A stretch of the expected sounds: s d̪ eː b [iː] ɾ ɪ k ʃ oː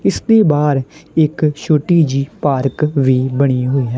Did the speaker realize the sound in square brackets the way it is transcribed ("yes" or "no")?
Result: no